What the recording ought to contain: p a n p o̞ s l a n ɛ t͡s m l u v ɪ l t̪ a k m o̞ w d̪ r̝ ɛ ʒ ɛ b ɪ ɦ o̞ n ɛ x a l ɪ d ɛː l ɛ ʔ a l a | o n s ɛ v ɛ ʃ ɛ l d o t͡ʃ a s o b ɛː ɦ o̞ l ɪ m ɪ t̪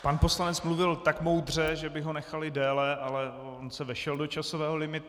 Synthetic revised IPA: p a n p o̞ s l a n ɛ t͡s m l u v ɪ l t̪ a k m o̞ w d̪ r̝ ɛ ʒ ɛ b ɪ ɦ o̞ n ɛ x a l ɪ d ɛː l ɛ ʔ a l ɛ | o n s ɛ v ɛ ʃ ɛ l d o t͡ʃ a s o v ɛː ɦ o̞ l ɪ m ɪ t̪